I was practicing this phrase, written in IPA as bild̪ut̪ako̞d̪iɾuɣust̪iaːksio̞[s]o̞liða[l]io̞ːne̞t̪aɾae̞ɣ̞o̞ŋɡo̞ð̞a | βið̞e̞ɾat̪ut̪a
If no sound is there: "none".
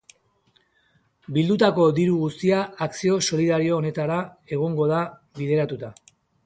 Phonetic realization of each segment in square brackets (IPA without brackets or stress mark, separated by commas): s, ɾ